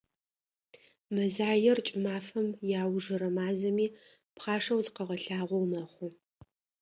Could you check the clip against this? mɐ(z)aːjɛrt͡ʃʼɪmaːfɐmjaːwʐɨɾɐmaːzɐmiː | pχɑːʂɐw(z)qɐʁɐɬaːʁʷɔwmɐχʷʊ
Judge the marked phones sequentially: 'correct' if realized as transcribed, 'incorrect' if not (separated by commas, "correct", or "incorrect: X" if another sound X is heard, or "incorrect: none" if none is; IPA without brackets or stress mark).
correct, correct